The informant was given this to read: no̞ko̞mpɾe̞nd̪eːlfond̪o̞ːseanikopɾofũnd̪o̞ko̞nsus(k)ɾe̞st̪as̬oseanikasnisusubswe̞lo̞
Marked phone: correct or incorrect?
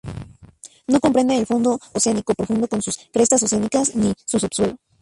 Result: correct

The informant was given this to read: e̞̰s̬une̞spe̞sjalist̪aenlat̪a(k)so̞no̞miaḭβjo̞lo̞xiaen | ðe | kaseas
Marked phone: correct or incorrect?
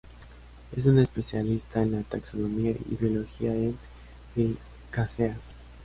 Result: correct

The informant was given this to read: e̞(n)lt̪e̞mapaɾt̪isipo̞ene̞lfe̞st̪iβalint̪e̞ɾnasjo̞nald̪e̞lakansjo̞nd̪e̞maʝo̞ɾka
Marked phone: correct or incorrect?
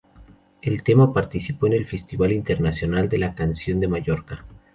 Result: incorrect: none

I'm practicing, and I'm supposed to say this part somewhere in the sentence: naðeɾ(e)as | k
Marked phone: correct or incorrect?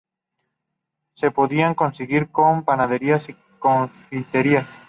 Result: incorrect: i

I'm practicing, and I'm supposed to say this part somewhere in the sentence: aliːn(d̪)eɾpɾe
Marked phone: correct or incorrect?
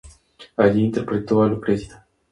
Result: incorrect: t̪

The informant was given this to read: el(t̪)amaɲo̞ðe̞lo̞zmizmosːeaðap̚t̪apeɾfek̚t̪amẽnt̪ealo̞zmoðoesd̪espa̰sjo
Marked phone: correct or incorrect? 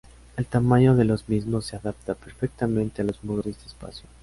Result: correct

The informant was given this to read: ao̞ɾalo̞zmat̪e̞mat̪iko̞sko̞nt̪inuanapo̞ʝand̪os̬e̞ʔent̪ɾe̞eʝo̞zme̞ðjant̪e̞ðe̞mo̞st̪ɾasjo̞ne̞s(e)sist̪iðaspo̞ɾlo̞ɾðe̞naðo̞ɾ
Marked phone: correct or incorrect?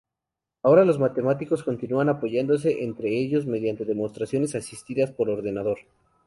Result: incorrect: a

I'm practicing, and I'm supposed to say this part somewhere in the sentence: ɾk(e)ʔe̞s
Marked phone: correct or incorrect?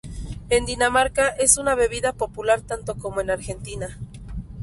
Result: incorrect: a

